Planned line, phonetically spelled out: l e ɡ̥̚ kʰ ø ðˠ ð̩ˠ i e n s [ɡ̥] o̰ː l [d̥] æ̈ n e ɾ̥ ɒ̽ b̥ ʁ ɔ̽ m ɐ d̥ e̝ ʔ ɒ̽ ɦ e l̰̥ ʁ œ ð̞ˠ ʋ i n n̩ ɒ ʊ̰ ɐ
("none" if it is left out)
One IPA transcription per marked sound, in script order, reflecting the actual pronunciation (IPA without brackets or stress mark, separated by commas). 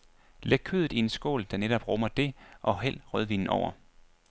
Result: ɡ̥, d̥